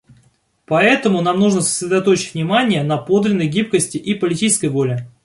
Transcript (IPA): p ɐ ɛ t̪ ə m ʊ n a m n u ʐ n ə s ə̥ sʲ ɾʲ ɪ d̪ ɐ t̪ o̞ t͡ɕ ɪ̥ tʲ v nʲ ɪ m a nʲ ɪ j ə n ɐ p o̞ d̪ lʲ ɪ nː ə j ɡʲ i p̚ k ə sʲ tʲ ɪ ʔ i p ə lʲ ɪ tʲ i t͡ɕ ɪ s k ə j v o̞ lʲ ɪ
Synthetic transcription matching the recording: p ɐ ɛ t̪ ə m ʊ n a m n u ʐ n ə s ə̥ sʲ ɾʲ ɪ d̪ ɐ t̪ o̞ t͡ɕ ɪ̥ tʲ v nʲ ɪ m a nʲ ɪ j ə n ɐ p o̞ d̪ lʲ ɪ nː ə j ɡʲ i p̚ k ə sʲ tʲ ɪ ʔ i p ə lʲ ɪ tʲ i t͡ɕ ɪ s k ə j v o̞ lʲ ɪ

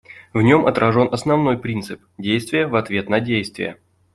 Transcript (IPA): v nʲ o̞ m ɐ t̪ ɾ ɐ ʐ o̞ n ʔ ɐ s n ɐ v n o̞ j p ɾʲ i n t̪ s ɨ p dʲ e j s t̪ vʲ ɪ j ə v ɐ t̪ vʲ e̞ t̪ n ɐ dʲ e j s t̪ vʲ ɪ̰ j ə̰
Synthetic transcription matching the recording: v nʲ o̞ m ɐ t̪ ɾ ɐ ʐ o̞ n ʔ ɐ s n ɐ v n o̞ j p ɾʲ i n t̪ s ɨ p dʲ e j s t̪ vʲ ɪ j ə v ɐ t̪ vʲ e̞ t̪ n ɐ dʲ e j s t̪ vʲ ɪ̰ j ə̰

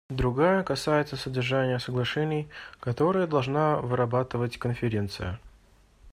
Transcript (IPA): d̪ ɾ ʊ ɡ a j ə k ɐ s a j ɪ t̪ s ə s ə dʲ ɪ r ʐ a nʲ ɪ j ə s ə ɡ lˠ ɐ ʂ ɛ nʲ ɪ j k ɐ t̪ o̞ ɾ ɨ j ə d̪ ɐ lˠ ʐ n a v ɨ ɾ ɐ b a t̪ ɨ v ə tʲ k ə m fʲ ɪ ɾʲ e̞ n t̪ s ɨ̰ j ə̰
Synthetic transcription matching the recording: d̪ ɾ ʊ ɡ a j ə k ɐ s a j ɪ t̪ s ə s ə dʲ ɪ r ʐ a nʲ ɪ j ə s ə ɡ lˠ ɐ ʂ ɛ nʲ ɪ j k ɐ t̪ o̞ ɾ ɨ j ə d̪ ɐ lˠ ʐ n a v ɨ ɾ ɐ b a t̪ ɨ v ə tʲ k ə n fʲ ɪ ɾʲ e̞ n t̪ s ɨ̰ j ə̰

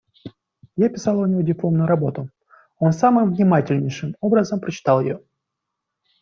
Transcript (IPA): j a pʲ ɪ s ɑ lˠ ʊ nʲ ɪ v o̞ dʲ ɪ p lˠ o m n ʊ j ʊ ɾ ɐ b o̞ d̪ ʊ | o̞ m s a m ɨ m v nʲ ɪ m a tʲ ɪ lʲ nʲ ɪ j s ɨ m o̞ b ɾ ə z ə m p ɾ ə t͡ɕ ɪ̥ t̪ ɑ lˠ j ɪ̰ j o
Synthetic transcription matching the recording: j a pʲ ɪ s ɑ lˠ ʊ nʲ ɪ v o̞ dʲ ɪ p lˠ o m n ʊ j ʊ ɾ ɐ b o̞ t̪ ʊ | o̞ n s a m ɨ m v nʲ ɪ m a tʲ ɪ lʲ nʲ ɪ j ʂ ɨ m o̞ b ɾ ə z ə m p ɾ ə t͡ɕ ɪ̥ t̪ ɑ lˠ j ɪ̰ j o

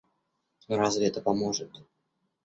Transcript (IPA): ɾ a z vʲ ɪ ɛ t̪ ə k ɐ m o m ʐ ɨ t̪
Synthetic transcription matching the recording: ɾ a z vʲ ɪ ɛ t̪ ə p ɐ m o ʐ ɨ t̪

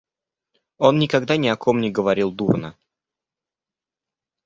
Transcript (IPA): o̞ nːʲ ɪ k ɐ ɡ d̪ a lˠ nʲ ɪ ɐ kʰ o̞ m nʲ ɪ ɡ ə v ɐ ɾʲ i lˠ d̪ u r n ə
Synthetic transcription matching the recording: o̞ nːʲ ɪ k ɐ ɡ d̪ a nʲ ɪ ɐ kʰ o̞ m nʲ ɪ ɡ ə v ɐ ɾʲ i lˠ d̪ u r n ə

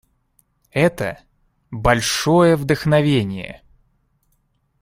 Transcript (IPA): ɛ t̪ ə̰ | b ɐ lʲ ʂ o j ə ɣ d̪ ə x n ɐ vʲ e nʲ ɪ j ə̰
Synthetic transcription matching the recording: ɛ t̪ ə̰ | b ɐ lʲ ʂ o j ə v d̪ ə x n ɐ vʲ e nʲ ɪ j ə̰

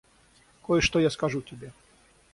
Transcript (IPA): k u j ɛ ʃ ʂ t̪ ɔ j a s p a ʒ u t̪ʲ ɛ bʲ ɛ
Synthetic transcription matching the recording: k ɔ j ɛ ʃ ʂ t̪ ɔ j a s k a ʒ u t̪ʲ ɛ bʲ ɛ

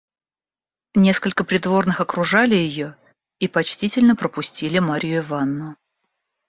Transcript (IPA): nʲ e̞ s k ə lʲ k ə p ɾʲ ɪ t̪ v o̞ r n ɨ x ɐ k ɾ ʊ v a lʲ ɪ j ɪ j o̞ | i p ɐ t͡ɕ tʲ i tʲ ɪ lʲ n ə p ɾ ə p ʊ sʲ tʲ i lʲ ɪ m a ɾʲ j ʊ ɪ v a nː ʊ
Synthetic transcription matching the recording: nʲ e̞ s k ə lʲ k ə p ɾʲ ɪ d̪ v o̞ r n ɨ x ɐ k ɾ ʊ ʐ a lʲ ɪ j ɪ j o̞ | i p ɐ t͡ɕ tʲ i tʲ ɪ lʲ n ə p ɾ ə p ʊ sʲ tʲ i lʲ ɪ m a ɾʲ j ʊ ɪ v a nː ʊ

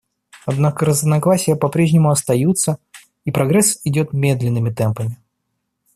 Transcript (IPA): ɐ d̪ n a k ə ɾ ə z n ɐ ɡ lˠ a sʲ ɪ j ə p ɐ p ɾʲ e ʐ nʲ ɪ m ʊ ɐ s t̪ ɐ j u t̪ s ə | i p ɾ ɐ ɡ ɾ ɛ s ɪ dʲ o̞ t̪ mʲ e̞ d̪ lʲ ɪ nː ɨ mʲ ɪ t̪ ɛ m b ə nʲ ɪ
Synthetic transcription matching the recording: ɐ d̪ n a k ə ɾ ə z n ɐ ɡ lˠ a sʲ ɪ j ə p ɐ p ɾʲ e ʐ nʲ ɪ m ʊ ɐ s t̪ ɐ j u t̪ s ə | i p ɾ ɐ ɡ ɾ ɛ s ɪ dʲ o̞ t̪ mʲ e̞ d̪ lʲ ɪ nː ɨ mʲ ɪ t̪ ɛ m p ə mʲ ɪ

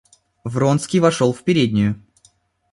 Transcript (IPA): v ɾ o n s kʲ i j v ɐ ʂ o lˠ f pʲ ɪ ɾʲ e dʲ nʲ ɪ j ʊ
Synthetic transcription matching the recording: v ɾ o n s kʲ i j v ɐ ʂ o lˠ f pʲ ɪ ɾʲ e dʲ nʲ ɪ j ʊ

